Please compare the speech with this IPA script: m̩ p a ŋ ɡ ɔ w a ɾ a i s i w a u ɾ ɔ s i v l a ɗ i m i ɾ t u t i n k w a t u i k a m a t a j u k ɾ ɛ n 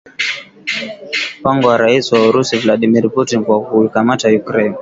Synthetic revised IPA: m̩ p a ŋ ɡ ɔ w a ɾ a i s i w a u ɾ u s i v l a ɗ i m i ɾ p u t i n k w a k u i k a m a t a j u k ɾ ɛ n